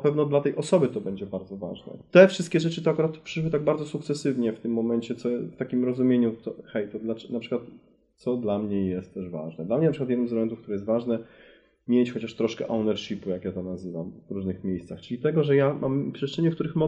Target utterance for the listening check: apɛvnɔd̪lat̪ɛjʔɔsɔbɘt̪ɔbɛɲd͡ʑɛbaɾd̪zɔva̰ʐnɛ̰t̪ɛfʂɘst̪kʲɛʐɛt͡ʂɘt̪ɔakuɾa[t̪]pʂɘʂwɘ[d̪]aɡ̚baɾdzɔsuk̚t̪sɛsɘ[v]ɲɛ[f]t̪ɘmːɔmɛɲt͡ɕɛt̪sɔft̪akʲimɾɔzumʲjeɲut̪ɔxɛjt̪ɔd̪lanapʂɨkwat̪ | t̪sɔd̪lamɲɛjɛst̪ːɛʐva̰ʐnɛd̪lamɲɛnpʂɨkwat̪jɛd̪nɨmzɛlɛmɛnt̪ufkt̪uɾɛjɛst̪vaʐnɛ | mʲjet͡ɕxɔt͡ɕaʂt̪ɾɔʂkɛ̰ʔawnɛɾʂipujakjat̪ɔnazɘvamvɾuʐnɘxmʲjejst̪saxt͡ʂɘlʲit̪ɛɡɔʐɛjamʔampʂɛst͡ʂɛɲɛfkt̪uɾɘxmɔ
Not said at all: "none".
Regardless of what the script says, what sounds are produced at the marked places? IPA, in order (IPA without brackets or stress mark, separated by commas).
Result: t̪, t̪, v, f